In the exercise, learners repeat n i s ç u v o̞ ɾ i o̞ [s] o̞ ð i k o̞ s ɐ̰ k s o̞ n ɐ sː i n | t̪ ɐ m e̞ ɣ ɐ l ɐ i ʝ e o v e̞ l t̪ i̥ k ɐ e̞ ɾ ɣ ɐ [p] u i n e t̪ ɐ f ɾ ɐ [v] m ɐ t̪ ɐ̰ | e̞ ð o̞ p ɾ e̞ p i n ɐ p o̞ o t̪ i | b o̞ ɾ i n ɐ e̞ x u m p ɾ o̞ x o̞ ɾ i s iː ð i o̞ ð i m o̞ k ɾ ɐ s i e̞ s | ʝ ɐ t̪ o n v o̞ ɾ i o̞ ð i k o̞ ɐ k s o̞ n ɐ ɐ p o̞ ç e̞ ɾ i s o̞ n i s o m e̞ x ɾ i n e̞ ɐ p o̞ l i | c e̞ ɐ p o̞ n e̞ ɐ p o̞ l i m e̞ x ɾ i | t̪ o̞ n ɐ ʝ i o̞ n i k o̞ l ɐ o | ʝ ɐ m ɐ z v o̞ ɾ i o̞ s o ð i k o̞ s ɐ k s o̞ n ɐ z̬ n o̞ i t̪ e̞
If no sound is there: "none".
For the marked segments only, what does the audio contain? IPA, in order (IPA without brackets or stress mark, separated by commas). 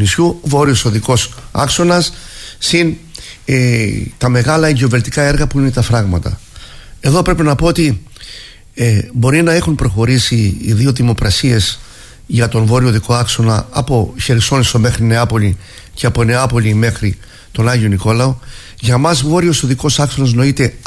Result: s, p, ɣ